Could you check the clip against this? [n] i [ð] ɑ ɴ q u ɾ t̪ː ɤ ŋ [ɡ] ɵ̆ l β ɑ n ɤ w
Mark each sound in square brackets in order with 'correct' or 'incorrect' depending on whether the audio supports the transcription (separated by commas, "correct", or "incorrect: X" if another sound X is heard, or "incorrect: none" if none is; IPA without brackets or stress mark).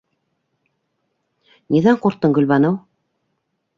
correct, correct, correct